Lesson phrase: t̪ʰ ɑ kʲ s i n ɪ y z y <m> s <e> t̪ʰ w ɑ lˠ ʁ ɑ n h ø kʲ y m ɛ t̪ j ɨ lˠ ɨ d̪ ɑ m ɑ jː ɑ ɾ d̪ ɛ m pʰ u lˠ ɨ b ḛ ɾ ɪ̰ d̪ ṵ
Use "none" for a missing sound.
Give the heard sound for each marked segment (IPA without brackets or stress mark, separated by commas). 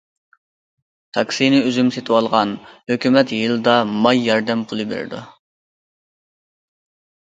m, e